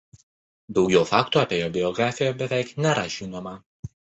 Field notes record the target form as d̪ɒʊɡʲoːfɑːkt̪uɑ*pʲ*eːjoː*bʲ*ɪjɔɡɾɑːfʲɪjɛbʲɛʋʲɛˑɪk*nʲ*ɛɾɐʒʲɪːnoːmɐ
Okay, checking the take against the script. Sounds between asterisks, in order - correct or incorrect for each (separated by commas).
correct, correct, correct